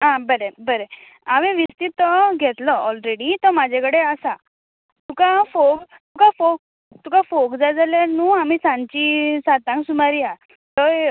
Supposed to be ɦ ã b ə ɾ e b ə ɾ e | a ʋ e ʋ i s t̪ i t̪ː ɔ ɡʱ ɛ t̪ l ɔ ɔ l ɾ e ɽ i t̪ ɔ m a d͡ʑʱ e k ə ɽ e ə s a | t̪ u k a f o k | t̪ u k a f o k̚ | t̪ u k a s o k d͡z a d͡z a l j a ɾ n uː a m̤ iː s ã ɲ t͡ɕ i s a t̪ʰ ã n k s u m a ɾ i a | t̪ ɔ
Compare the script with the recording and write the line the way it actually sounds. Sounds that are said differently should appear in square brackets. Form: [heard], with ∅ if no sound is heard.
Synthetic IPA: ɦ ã b ə ɾ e b ə ɾ e | a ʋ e ʋ i s t̪ i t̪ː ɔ ɡʱ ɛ t̪ l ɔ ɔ l ɾ e ɽ i t̪ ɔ m a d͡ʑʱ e k ə ɽ e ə s a | t̪ u k a f o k | t̪ u k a f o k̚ | t̪ u k a [f] o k d͡z a d͡z a l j a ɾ n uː a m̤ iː s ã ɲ t͡ɕ i s a [t̪] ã [ŋ] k s u m a ɾ i a | t̪ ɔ